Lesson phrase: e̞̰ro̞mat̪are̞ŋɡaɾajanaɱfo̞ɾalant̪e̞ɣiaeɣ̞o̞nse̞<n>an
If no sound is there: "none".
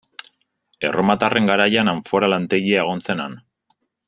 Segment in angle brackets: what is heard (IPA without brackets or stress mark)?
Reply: n